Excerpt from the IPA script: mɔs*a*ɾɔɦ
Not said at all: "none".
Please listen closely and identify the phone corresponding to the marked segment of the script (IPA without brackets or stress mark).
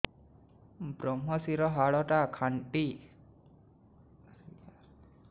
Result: i